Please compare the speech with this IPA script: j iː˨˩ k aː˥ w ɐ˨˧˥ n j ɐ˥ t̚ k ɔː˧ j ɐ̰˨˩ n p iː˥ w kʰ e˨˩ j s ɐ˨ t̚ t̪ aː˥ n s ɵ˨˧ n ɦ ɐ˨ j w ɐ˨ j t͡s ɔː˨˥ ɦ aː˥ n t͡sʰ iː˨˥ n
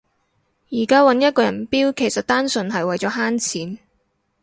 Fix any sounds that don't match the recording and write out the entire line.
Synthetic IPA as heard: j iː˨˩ k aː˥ w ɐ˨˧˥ n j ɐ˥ t̚ k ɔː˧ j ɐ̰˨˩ n p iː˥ w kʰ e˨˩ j s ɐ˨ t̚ t̪ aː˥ n s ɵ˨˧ n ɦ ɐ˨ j w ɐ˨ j t͡s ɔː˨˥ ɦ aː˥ n t͡sʰ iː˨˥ n